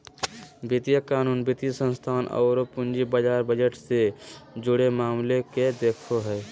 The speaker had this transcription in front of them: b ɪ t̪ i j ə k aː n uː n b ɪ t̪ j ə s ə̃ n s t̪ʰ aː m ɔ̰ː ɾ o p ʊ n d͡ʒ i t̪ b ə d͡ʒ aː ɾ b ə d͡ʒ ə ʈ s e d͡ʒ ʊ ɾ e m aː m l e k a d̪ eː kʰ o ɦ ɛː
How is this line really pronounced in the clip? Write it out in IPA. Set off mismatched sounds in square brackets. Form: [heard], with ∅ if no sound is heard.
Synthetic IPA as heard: b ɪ t̪ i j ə k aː n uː n b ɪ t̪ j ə s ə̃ n s t̪ʰ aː [n] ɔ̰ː ɾ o p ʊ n d͡ʒ i [∅] b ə d͡ʒ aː ɾ b ə d͡ʒ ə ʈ s e d͡ʒ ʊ [ɽ] e m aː m l e k [e] d̪ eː kʰ o ɦ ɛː